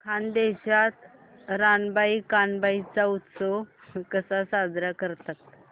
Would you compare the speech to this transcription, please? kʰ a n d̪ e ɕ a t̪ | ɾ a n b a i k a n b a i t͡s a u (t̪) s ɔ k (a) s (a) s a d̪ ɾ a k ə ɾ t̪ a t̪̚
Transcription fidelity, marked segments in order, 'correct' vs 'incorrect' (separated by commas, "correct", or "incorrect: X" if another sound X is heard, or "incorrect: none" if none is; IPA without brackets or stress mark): correct, incorrect: ə, correct